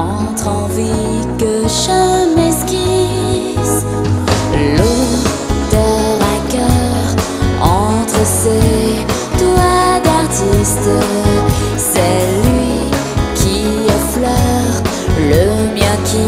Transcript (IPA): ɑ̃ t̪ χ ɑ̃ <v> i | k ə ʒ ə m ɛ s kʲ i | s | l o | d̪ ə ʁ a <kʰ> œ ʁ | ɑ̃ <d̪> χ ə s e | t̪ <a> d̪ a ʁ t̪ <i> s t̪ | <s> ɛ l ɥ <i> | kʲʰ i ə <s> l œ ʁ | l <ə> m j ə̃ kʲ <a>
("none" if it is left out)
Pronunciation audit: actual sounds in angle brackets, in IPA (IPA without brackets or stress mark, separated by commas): v, k, t̪, a, i, s, i, f, ə, i